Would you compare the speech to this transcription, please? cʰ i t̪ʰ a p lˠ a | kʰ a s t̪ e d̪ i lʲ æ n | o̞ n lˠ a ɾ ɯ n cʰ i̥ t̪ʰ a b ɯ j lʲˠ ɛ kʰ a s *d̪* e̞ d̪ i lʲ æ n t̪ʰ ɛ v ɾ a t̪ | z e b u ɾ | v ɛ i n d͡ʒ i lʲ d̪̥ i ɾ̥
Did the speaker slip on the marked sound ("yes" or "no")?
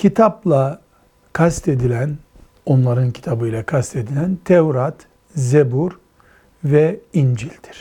yes